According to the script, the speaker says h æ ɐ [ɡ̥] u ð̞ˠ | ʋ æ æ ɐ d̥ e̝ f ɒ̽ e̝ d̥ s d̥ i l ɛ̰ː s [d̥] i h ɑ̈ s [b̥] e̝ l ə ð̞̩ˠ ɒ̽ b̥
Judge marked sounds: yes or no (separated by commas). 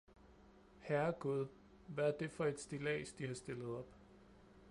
yes, yes, no